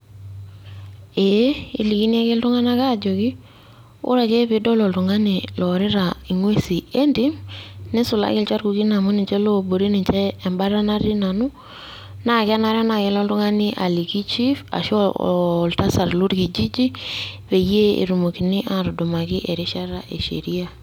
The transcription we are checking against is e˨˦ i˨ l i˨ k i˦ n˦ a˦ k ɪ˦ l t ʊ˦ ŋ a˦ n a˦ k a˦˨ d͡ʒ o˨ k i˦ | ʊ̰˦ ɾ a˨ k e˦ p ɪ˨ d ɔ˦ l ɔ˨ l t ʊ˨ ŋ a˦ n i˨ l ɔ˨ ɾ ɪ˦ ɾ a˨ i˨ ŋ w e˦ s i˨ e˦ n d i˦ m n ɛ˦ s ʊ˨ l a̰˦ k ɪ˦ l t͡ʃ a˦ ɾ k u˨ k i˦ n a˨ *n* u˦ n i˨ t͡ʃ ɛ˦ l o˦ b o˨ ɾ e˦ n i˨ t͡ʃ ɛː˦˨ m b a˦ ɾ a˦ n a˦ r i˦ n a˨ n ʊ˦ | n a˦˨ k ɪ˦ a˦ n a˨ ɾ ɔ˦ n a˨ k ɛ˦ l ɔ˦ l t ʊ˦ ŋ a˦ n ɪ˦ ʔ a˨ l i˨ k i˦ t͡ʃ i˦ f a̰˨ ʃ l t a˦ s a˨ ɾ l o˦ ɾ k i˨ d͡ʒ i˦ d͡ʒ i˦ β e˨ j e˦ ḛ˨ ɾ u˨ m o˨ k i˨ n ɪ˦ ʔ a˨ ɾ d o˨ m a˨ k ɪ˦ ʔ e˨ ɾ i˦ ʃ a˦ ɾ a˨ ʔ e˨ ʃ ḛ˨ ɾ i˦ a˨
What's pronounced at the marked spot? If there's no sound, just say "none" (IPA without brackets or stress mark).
m